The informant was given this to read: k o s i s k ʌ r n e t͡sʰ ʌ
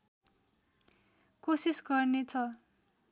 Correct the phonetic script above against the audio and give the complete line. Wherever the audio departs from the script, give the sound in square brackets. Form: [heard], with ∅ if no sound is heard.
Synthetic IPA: k o s i s [ɡ] ʌ r n e t͡sʰ ʌ